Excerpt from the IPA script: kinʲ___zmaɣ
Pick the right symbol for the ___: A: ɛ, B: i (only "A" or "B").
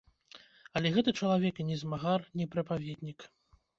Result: A